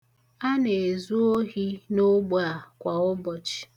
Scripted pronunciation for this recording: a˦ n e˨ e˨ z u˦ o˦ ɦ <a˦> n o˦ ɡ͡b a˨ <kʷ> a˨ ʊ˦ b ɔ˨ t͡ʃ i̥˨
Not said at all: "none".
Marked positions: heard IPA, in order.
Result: i˦, kʷ

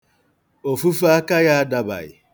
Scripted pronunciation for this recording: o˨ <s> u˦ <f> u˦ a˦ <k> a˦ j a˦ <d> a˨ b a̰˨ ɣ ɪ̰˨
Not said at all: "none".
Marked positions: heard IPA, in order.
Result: f, f, k, d

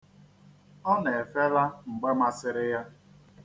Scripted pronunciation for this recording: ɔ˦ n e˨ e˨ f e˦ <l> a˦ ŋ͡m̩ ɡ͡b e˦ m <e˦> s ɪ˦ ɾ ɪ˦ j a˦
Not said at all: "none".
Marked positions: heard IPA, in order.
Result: l, a˦

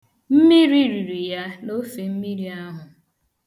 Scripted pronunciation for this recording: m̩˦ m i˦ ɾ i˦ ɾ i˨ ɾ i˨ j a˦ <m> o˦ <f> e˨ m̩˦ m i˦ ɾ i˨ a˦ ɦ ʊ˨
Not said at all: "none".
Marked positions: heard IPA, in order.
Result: n, f

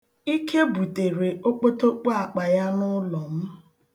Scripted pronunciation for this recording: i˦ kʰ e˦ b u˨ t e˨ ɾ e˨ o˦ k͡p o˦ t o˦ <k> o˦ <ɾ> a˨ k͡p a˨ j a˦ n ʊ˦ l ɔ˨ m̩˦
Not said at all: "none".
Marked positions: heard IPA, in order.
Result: k͡p, none

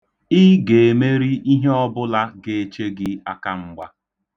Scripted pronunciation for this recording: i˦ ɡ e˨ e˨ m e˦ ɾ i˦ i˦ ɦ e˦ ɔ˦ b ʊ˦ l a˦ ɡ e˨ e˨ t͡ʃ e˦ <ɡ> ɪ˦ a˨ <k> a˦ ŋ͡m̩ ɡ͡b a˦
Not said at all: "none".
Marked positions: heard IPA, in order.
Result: ɡ, k

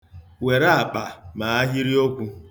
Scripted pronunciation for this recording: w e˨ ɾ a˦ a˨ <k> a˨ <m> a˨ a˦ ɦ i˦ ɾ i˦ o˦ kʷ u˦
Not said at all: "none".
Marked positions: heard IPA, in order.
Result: k͡p, m

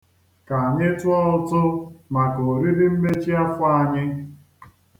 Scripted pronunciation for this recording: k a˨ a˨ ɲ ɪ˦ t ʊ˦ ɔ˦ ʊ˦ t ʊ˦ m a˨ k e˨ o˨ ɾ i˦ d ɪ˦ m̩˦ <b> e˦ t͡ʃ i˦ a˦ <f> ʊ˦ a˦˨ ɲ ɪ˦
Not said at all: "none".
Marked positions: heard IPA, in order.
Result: m, f

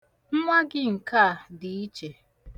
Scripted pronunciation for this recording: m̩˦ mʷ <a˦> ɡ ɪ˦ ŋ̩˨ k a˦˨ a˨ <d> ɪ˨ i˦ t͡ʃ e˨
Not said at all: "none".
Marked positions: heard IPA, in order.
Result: a˦, d

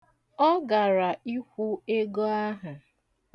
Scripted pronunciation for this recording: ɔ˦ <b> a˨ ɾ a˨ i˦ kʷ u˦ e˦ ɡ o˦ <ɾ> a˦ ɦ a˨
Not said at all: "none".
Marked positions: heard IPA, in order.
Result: ɡ, none

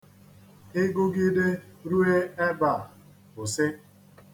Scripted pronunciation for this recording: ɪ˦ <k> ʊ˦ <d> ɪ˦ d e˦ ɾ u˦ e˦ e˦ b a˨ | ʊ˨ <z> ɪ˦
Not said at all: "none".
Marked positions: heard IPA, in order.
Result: ɡ, ɡ, s

